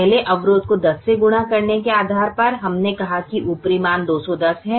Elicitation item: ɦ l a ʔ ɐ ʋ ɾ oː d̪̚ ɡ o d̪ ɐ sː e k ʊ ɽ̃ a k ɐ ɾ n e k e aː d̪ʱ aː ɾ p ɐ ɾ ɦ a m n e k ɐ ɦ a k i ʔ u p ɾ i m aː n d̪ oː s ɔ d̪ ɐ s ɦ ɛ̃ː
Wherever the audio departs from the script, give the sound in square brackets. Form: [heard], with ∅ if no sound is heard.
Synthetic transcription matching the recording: ɦ l [e] ʔ ɐ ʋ ɾ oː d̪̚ [k] o d̪ ɐ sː e [ɡ] ʊ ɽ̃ a k ɐ ɾ n e k e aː d̪ʱ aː ɾ p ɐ ɾ ɦ [ɐ] m n e k ɐ ɦ a k i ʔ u p ɾ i m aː n d̪ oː s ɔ d̪ ɐ s ɦ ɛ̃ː